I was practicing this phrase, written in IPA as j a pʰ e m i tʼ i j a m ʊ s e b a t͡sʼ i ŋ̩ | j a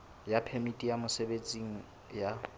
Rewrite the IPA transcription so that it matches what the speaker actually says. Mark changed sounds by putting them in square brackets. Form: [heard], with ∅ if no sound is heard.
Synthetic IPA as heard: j a pʰ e m i tʼ i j a m ʊ s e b [e] t͡sʼ i ŋ̩ | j a